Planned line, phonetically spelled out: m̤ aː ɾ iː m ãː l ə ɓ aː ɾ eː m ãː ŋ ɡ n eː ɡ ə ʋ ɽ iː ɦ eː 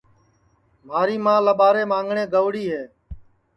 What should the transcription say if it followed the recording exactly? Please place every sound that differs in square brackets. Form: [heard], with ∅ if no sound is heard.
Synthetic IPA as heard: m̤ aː ɾ iː m ãː l ə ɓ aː ɾ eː m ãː ŋ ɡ [ɳ] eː ɡ ə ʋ ɽ iː ɦ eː

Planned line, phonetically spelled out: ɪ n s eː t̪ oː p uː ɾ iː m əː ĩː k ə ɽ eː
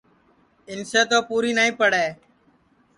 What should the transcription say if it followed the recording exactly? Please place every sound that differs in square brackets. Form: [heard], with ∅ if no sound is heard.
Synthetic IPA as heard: ɪ n s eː t̪ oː p uː ɾ iː [n] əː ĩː [p] ə ɽ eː

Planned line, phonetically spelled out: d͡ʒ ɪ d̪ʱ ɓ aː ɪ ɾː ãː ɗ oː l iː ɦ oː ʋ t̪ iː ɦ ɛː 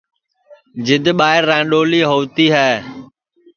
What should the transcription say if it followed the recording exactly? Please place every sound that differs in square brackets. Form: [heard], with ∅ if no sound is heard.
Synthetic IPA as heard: d͡ʒ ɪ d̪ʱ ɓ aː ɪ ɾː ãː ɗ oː l iː ɦ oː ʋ t̪ iː ɦ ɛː

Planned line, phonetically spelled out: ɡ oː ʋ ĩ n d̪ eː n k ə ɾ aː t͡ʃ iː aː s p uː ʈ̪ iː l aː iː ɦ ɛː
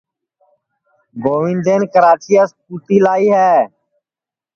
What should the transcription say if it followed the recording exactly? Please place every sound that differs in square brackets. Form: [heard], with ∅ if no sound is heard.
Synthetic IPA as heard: ɡ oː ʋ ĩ n d̪ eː n k ə ɾ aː t͡ʃ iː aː s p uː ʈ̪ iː l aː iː ɦ ɛː

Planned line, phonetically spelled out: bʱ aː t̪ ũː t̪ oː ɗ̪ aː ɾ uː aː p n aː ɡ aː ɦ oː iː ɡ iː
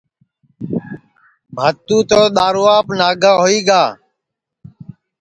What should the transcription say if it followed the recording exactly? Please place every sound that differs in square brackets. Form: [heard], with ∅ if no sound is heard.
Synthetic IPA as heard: bʱ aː t̪ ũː t̪ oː ɗ̪ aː ɾ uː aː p n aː ɡ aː ɦ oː iː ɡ [aː]

